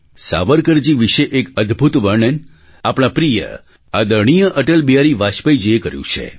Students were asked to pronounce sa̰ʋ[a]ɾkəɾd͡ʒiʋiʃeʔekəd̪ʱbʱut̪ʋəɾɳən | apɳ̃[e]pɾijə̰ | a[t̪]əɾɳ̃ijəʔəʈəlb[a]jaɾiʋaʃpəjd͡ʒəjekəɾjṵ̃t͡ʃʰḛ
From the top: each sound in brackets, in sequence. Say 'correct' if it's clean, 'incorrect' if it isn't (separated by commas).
incorrect, incorrect, incorrect, incorrect